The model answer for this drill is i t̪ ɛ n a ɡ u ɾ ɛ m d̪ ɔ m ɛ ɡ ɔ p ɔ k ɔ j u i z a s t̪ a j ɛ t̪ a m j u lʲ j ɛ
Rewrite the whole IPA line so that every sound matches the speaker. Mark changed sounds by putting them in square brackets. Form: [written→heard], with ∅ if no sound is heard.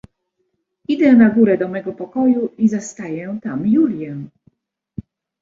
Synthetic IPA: i [t̪→d̪] ɛ n a ɡ u ɾ ɛ [m→∅] d̪ ɔ m ɛ ɡ ɔ p ɔ k ɔ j u i z a s t̪ a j ɛ t̪ a m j u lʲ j ɛ